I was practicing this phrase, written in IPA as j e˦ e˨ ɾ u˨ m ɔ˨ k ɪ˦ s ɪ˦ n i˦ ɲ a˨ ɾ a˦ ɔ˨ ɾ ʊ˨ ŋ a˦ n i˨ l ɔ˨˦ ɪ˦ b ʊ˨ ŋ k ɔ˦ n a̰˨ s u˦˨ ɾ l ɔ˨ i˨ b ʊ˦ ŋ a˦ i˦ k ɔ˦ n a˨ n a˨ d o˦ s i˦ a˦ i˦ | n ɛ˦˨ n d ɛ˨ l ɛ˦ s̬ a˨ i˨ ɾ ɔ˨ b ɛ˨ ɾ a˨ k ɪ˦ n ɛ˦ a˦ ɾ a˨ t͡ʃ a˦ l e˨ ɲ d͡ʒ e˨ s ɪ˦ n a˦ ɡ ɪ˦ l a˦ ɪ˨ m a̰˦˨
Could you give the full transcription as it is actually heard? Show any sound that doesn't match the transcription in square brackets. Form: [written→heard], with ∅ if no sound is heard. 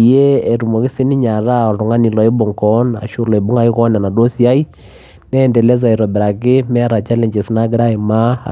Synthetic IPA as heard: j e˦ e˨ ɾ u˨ m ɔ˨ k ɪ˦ s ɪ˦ n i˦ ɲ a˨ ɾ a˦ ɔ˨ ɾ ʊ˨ ŋ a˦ n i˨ l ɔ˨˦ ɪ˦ b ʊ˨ ŋ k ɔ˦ n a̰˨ [s→ʃ] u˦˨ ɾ l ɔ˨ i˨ b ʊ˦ ŋ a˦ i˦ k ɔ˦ n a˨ n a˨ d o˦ s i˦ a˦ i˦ | n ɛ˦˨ n d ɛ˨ l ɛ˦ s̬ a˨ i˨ ɾ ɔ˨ b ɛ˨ ɾ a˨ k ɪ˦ [n→m] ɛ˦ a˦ ɾ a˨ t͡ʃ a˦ l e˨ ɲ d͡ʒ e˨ s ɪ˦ n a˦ ɡ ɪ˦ [l→ɾ] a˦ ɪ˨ m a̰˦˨